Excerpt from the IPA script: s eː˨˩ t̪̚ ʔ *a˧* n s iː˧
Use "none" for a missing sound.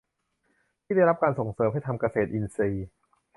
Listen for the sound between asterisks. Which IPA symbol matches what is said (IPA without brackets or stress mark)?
i˧